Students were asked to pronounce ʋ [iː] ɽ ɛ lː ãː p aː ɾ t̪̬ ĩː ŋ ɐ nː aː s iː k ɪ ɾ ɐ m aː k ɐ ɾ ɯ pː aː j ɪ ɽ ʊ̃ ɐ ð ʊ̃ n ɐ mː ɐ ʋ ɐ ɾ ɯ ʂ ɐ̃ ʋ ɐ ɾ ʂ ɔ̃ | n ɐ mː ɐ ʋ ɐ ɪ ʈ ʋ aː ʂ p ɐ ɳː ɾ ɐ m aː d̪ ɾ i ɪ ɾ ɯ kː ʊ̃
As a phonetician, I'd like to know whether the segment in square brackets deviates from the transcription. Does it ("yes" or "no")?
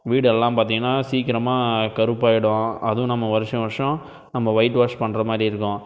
no